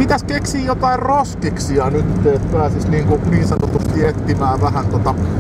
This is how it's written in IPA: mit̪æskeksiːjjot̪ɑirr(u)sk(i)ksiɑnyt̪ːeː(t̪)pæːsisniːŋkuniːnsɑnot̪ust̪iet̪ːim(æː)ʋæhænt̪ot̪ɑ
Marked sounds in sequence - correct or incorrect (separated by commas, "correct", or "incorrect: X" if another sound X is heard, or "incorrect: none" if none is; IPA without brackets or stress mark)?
incorrect: o, correct, correct, correct